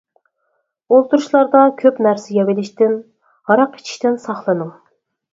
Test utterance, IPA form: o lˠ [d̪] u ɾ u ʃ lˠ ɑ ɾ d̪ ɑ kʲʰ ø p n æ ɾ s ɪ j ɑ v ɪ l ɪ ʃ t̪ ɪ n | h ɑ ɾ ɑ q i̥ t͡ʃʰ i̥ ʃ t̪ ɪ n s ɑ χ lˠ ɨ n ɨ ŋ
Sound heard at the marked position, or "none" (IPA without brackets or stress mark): t̪